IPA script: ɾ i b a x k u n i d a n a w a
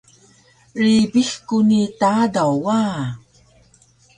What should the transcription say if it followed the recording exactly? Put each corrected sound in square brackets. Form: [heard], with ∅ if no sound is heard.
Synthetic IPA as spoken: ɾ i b [i] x k u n i [t] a [d] a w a